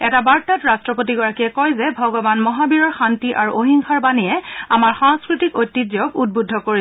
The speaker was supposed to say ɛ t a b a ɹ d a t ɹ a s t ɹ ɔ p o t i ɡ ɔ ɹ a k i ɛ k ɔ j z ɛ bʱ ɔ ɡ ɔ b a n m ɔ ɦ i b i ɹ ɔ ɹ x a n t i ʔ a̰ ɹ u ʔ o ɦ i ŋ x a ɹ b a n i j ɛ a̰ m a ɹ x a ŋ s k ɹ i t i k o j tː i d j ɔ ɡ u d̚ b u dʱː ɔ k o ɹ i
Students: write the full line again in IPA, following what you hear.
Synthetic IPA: ɛ t a b a ɹ t a t ɹ a s t ɹ ɔ p o t i ɡ ɔ ɹ a k i ɛ k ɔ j z ɛ bʱ ɔ ɡ ɔ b a n m ɔ ɦ a b i ɹ ɔ ɹ x a n t i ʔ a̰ ɹ u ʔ o ɦ i ŋ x a ɹ b a n i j ɛ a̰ m a ɹ x a ŋ s k ɹ i t i k o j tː i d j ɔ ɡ u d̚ b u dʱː ɔ k o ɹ i